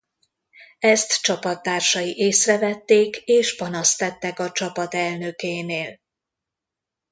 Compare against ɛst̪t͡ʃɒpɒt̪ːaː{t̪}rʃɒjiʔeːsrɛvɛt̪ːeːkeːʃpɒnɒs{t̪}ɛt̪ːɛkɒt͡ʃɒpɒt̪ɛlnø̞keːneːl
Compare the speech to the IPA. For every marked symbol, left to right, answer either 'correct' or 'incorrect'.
incorrect: none, correct

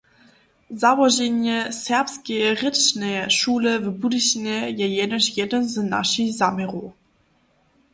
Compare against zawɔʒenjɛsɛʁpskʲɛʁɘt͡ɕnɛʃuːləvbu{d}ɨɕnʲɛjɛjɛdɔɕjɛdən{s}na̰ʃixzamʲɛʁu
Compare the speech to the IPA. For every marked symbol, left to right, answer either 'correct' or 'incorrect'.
correct, incorrect: z

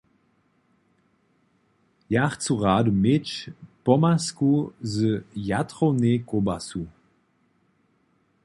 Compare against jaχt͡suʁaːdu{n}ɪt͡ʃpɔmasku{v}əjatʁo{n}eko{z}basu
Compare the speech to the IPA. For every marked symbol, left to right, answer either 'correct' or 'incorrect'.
incorrect: m, incorrect: z, correct, incorrect: none

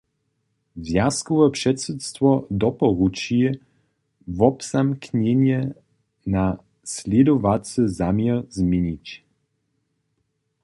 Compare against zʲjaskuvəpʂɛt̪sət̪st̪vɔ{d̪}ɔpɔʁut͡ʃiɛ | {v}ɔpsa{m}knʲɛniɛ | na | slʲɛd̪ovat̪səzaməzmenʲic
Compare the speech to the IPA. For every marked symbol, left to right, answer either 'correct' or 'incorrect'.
correct, correct, correct

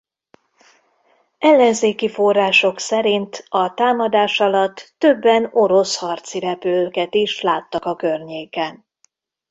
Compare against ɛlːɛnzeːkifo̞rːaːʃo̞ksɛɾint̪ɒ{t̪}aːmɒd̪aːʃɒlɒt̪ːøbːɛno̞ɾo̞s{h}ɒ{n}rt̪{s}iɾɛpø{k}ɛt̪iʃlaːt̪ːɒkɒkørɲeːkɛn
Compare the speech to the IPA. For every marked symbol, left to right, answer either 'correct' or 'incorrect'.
correct, correct, incorrect: none, correct, correct

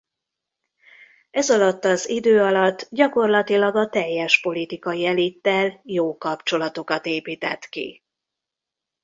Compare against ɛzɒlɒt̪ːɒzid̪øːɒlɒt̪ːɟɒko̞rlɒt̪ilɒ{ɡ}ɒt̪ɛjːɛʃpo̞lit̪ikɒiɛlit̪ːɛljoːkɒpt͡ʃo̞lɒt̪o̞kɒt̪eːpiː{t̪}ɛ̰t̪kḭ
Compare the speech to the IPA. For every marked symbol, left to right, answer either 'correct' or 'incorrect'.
correct, correct

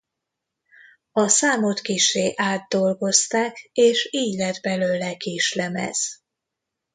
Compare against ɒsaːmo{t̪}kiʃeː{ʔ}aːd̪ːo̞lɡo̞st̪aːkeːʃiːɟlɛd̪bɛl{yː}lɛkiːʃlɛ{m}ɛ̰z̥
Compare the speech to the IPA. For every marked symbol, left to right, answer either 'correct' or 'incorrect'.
correct, correct, incorrect: øː, correct

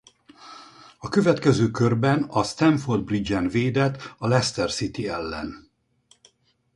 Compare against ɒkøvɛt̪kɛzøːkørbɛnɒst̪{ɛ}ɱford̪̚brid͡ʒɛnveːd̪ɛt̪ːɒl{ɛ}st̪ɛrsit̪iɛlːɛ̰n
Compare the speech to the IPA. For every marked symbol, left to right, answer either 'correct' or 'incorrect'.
correct, correct

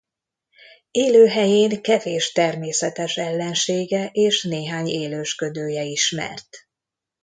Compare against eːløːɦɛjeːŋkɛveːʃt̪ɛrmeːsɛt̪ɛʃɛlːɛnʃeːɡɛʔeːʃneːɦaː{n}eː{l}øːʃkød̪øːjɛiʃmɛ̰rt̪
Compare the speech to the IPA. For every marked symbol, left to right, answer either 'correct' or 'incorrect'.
incorrect: ɲ, correct

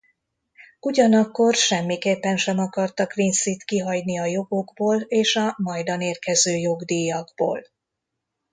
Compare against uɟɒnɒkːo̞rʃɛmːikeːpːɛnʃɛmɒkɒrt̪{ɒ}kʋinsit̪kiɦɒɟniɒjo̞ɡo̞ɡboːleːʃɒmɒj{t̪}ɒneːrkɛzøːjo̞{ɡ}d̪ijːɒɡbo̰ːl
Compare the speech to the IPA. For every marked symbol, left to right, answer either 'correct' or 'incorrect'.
correct, incorrect: d̪, correct

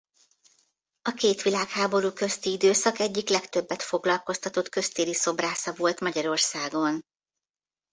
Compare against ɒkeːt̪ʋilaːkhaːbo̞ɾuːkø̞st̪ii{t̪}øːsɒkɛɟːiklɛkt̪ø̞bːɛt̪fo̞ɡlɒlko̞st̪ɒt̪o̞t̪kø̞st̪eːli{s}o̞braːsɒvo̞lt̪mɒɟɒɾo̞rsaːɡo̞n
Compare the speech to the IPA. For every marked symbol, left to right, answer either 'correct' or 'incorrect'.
incorrect: d̪, correct

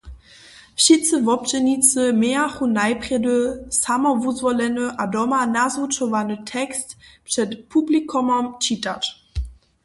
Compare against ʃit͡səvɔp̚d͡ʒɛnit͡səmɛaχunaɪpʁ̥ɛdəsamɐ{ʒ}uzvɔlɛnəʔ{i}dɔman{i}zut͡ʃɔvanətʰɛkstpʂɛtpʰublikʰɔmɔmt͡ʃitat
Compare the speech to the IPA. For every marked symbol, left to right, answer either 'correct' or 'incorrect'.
incorrect: v, incorrect: a, incorrect: a

